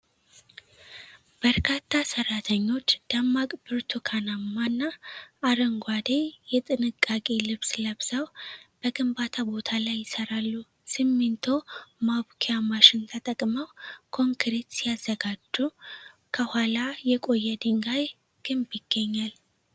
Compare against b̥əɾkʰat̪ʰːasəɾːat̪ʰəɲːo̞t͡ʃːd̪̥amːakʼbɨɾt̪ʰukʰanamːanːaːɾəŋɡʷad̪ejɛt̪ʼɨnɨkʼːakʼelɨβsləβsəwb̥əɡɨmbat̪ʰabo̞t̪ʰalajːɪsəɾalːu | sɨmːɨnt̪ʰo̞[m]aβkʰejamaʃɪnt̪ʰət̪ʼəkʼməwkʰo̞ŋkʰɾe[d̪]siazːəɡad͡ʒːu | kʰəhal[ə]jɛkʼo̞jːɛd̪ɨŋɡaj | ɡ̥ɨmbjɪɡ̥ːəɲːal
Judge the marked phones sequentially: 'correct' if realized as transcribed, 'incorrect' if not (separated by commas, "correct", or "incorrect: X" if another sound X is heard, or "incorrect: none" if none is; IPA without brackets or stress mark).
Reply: correct, incorrect: t̪, incorrect: a